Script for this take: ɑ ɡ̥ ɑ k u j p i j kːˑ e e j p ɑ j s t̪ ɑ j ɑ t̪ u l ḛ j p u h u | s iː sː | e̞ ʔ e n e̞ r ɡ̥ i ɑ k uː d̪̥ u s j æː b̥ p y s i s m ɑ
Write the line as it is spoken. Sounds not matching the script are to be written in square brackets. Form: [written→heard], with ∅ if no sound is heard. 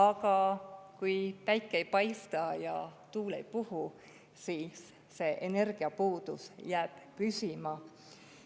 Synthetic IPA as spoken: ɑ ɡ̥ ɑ k u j p [i→æ] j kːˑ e e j p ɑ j s t̪ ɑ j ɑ t̪ [u→uː] l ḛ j p u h u | s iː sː | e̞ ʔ e n e̞ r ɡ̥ i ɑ [k→p] uː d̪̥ u s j æː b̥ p y s i [s→∅] m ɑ